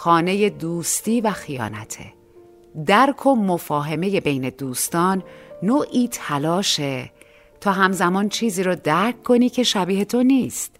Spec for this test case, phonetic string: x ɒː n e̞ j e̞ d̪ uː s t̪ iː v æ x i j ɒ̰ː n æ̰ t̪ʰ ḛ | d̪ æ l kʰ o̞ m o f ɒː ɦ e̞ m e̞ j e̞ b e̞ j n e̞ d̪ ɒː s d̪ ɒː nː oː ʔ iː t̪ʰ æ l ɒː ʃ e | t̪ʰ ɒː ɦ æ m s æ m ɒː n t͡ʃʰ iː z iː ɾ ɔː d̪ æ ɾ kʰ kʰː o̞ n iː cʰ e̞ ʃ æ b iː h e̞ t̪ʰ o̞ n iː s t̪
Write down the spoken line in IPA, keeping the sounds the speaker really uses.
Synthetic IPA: x ɒː n e̞ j e̞ d̪ uː s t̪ iː v æ x i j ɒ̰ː n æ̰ t̪ʰ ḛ | d̪ æ ɾ kʰ o̞ m o f ɒː ɦ e̞ m e̞ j e̞ b e̞ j n e̞ d̪ uː s t̪ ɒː nː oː ʔ iː t̪ʰ æ l ɒː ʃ e | t̪ʰ ɒː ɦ æ m z æ m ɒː n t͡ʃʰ iː z iː ɾ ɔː d̪ æ ɾ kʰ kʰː o̞ n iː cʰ e̞ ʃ æ b iː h e̞ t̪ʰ o̞ n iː s t̪